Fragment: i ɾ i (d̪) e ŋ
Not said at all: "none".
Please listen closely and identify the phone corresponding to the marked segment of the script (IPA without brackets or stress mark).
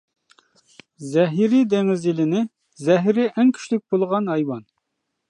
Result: d̪